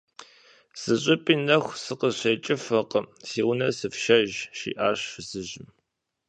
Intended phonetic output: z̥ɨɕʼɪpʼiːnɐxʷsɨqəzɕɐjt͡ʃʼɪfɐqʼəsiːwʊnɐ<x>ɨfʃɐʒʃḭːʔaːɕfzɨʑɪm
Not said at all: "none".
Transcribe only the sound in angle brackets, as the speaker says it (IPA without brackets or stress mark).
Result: s